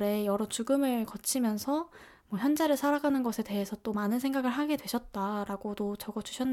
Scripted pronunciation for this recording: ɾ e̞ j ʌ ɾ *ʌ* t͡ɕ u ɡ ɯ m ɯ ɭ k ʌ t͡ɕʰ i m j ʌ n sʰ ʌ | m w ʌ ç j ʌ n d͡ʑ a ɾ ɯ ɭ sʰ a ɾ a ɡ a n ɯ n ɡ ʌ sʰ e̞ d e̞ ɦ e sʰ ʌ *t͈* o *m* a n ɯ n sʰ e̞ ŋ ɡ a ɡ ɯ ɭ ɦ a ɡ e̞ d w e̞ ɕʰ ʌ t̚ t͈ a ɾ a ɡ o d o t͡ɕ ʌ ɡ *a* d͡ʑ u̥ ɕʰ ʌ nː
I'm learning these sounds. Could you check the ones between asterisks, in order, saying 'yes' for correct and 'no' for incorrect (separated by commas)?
yes, yes, yes, no